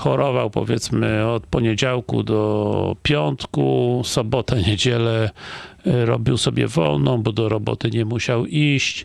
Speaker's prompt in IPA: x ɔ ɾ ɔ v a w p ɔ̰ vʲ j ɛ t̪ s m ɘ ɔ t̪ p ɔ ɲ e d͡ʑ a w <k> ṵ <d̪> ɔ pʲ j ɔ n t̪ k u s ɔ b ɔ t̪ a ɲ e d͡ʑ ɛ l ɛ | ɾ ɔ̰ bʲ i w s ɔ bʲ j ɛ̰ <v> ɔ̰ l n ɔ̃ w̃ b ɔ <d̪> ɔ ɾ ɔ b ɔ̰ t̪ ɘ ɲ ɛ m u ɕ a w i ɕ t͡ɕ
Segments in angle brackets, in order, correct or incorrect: correct, correct, correct, correct

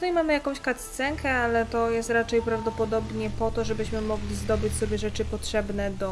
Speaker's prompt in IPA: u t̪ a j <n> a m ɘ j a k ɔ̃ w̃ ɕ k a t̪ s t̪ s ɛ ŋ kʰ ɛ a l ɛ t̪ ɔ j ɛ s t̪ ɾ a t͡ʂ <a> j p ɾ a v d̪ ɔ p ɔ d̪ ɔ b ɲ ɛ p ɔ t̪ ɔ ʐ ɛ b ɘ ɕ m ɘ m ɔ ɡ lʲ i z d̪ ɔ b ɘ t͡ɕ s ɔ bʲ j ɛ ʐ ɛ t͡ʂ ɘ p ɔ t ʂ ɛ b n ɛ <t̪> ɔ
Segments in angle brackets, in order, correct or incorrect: incorrect, incorrect, incorrect

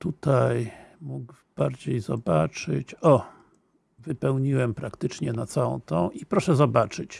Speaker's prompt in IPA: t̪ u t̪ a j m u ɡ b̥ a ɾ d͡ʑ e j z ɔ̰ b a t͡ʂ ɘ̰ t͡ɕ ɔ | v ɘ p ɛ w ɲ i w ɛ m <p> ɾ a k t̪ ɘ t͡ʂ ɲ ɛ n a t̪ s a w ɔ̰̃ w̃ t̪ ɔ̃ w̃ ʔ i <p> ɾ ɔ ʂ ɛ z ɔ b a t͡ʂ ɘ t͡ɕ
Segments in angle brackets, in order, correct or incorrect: correct, correct

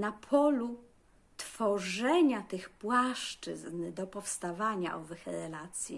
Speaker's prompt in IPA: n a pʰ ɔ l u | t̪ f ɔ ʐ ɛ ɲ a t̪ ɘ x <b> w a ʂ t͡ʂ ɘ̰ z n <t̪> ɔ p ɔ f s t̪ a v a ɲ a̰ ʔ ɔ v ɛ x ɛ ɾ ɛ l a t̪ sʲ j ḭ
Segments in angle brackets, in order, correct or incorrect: incorrect, incorrect

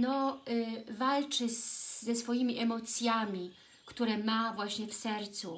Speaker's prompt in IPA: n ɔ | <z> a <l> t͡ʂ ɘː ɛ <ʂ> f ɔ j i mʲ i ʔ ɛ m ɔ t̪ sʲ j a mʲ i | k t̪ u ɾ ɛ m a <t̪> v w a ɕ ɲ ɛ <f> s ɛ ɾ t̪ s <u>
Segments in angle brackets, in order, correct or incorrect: incorrect, correct, incorrect, incorrect, correct, correct

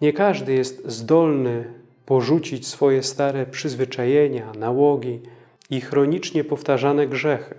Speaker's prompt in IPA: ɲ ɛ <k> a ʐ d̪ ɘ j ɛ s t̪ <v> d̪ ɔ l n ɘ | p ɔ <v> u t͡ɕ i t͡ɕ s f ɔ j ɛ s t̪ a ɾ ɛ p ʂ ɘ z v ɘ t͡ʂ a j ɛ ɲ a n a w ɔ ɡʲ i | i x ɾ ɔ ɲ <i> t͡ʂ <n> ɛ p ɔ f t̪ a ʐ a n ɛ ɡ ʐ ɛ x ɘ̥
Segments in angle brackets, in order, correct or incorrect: correct, incorrect, incorrect, correct, incorrect

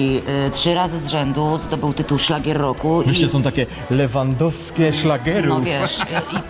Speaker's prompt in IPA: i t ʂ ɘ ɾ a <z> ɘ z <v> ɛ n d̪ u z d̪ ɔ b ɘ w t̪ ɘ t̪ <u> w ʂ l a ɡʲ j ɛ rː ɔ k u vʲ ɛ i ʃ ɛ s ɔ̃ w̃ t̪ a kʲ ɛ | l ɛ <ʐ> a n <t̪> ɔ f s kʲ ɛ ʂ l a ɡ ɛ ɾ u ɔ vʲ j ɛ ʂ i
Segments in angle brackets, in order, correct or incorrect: correct, incorrect, correct, incorrect, incorrect

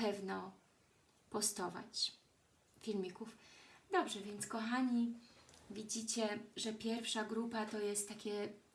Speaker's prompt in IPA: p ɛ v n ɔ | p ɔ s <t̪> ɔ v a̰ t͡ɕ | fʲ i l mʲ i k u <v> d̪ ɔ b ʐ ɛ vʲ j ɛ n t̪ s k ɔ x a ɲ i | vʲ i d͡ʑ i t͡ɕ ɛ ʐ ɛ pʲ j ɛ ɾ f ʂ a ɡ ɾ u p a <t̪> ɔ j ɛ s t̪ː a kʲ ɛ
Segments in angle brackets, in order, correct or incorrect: correct, incorrect, correct

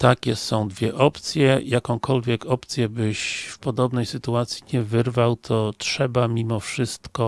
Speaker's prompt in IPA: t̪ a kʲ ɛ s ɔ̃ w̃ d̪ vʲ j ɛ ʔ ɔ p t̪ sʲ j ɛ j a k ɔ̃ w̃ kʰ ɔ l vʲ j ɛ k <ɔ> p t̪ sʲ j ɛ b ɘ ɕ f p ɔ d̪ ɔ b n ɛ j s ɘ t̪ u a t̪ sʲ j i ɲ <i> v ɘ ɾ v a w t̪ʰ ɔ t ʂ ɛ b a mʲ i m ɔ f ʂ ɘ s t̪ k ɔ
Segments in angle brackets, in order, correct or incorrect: correct, incorrect

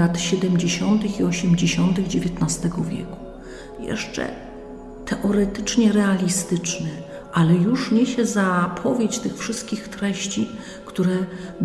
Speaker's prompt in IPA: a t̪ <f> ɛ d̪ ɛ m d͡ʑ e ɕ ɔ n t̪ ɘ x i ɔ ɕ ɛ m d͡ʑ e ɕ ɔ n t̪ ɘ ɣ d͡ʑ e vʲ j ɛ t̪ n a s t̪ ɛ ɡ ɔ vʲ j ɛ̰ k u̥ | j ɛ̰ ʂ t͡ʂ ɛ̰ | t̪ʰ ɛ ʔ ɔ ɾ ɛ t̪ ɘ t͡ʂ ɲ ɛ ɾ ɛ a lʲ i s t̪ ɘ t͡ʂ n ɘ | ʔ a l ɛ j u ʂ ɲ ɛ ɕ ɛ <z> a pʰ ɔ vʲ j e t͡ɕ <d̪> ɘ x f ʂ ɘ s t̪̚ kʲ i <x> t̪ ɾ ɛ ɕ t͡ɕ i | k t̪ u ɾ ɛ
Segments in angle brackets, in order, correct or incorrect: incorrect, correct, incorrect, correct

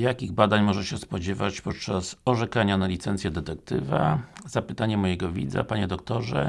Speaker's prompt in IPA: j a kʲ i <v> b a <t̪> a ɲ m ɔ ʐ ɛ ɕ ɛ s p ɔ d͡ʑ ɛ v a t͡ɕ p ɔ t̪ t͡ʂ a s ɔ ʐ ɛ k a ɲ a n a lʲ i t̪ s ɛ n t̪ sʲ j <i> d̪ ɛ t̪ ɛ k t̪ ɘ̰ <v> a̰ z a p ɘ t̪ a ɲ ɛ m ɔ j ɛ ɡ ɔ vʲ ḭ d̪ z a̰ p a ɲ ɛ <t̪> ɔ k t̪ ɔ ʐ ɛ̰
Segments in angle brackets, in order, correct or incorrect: incorrect, incorrect, incorrect, correct, incorrect

